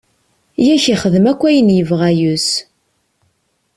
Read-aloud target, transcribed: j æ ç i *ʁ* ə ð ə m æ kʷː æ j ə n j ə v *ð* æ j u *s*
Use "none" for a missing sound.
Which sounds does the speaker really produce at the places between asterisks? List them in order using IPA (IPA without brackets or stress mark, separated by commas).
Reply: χ, ʁ, s